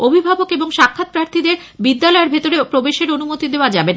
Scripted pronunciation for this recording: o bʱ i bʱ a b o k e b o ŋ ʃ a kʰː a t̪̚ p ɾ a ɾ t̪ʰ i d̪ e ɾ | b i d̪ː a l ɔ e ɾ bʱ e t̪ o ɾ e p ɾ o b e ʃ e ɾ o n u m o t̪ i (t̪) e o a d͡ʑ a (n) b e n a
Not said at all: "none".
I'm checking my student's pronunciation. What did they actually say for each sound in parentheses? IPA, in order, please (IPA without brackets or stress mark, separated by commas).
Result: d̪, none